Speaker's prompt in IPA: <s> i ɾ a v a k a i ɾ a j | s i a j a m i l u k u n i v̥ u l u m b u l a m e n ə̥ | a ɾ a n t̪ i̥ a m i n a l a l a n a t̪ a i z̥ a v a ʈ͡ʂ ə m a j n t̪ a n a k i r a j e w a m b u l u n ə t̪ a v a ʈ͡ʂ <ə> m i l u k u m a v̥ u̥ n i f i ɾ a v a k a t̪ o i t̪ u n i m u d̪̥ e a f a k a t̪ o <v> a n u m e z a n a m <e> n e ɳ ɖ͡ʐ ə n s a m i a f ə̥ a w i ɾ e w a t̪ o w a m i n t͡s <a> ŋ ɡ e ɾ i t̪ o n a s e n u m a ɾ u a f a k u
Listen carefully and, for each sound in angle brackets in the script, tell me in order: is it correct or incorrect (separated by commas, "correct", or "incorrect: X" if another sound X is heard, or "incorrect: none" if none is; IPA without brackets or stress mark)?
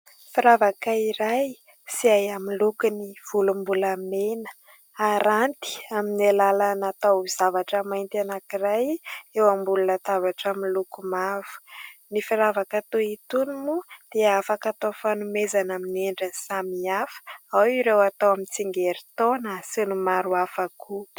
incorrect: f, incorrect: a, incorrect: f, incorrect: i, incorrect: i